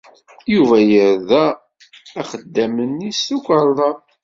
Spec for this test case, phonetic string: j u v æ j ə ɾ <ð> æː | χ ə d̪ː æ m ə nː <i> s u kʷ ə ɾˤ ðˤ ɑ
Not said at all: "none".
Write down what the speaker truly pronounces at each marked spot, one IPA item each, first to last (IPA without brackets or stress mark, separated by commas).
ð, i